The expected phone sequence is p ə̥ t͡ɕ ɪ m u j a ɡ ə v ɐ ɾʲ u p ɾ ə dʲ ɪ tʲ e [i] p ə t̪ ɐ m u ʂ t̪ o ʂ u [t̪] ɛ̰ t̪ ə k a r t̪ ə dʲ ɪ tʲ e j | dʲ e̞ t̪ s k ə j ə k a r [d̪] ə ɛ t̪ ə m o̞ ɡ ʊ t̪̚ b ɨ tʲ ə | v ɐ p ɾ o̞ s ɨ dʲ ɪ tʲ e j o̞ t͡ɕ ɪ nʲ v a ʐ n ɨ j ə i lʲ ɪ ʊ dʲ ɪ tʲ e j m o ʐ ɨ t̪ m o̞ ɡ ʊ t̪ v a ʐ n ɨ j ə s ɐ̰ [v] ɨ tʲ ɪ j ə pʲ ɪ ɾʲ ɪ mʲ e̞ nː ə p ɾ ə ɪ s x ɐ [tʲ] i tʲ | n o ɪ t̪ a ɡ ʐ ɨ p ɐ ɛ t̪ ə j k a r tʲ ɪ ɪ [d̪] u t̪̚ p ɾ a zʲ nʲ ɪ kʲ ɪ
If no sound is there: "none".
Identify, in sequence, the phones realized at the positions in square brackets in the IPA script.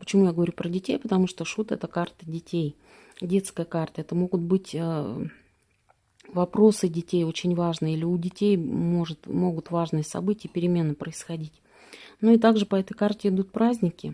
j, t̪, t̪, b, dʲ, d̪

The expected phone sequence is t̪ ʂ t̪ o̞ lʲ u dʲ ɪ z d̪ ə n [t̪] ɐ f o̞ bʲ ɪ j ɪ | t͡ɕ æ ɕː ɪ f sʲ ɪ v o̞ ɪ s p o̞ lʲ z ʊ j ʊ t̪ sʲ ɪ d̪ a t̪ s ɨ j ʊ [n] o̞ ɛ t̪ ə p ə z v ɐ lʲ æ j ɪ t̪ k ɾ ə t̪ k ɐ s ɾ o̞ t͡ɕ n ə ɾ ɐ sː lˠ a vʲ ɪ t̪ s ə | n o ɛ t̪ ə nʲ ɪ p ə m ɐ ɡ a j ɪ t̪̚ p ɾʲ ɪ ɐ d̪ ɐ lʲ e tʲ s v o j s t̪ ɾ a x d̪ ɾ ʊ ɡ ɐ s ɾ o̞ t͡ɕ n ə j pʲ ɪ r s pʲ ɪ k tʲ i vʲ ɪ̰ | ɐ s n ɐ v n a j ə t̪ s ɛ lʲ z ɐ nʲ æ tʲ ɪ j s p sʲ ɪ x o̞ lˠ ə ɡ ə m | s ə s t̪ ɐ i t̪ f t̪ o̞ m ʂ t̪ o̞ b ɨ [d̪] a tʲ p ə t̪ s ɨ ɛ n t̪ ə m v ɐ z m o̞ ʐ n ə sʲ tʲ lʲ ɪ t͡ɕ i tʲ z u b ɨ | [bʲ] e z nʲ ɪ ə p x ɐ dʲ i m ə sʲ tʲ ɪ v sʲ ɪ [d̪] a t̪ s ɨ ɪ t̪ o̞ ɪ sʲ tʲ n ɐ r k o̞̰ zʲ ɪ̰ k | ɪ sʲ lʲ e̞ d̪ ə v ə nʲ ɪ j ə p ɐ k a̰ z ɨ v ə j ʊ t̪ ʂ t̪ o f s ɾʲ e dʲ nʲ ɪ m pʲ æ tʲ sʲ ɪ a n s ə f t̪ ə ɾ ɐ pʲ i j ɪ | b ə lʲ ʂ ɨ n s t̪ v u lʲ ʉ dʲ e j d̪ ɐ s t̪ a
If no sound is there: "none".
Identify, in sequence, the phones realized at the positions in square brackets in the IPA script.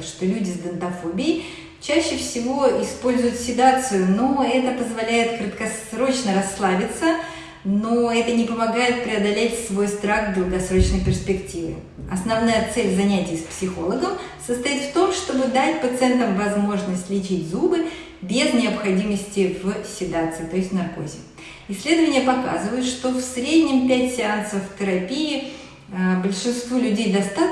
t̪, n, d̪, bʲ, d̪

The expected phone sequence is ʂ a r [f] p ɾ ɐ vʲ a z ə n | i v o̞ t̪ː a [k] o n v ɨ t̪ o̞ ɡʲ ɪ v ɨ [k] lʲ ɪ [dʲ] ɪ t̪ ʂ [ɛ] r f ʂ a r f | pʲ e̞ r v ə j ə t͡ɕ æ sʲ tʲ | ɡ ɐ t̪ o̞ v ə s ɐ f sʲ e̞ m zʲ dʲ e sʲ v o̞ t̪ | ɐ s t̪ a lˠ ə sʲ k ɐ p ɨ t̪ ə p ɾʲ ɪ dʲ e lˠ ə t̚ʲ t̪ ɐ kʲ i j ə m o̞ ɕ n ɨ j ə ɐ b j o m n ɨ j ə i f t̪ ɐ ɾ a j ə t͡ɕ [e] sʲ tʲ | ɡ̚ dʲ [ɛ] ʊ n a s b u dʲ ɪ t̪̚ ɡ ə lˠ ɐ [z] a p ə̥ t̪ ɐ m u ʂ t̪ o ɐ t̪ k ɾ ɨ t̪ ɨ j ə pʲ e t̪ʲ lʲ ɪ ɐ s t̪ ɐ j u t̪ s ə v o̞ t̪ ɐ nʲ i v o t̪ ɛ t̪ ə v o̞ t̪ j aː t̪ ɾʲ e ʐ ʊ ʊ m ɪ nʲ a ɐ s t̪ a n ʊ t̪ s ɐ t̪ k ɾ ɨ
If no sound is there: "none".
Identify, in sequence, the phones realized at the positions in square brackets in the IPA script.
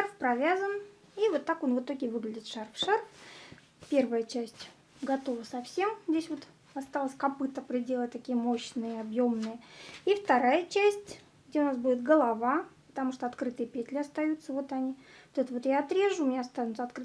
f, k, ɡ, dʲ, a, æ, e, v

